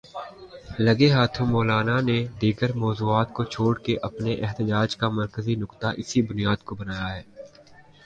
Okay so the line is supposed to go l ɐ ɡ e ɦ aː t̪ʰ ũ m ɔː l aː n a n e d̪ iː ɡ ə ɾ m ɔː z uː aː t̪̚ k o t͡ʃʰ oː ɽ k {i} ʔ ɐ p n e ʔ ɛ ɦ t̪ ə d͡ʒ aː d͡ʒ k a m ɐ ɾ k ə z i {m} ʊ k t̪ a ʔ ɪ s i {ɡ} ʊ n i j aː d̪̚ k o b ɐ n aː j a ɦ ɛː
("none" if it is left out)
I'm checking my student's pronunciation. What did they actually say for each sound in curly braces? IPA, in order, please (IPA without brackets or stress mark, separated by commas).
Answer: e, n, b